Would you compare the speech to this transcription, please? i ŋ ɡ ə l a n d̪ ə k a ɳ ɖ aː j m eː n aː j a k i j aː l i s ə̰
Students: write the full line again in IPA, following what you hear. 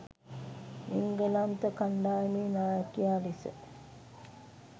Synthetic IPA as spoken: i ŋ ɡ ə l a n t̪ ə k a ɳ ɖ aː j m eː n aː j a k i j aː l i s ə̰

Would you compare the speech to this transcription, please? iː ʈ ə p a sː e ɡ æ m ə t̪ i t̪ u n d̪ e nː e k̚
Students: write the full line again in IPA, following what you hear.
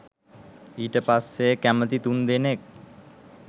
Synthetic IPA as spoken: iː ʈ ə p a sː e k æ m ə t̪ i t̪ u n d̪ e n e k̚

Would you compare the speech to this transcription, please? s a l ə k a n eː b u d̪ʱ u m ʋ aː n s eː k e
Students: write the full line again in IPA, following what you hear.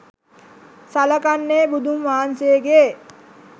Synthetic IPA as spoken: s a l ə k a nː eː b u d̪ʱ u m ʋ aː n s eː ɡ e

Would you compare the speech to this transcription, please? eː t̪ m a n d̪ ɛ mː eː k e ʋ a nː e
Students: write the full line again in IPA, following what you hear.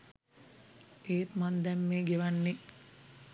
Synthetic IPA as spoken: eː t̪ m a n d̪ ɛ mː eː ɡ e ʋ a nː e

